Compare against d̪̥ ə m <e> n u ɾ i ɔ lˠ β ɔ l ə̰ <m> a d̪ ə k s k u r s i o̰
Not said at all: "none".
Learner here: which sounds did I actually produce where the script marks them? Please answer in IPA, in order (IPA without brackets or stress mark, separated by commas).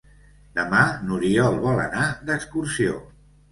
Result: a, n